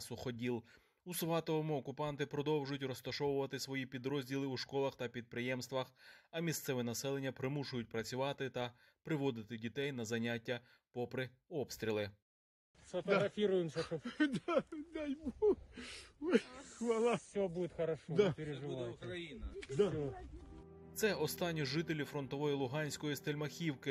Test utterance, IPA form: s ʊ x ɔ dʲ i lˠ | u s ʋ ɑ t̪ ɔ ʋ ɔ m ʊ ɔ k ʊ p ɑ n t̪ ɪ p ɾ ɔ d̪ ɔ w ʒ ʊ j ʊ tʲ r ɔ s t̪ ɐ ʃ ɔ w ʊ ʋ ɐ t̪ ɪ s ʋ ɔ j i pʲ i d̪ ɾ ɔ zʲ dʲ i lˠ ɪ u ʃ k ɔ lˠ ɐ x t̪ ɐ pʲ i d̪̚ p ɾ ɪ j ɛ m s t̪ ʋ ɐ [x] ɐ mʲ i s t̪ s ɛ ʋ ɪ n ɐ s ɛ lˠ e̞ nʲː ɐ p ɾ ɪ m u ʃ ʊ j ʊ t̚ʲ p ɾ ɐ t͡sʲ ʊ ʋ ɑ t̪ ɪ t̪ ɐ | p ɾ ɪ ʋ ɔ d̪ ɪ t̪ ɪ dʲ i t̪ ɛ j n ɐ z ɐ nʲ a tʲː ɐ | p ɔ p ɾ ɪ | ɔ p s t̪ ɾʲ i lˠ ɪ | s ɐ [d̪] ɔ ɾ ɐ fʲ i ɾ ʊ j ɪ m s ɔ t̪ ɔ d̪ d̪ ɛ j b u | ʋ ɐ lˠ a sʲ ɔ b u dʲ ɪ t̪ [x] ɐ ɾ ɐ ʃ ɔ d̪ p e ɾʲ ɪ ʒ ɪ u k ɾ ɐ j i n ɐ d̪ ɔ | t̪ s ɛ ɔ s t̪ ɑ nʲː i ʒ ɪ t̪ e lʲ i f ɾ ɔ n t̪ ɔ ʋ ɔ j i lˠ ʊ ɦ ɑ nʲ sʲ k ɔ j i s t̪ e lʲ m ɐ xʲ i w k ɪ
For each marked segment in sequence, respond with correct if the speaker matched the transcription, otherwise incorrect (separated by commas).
correct, incorrect, correct